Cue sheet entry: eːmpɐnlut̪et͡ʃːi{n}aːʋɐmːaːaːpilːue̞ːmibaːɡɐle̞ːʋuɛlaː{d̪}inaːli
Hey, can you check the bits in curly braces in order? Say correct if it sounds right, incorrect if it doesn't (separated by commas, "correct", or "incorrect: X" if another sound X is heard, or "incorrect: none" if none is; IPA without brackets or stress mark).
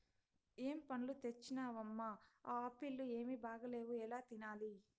correct, incorrect: t̪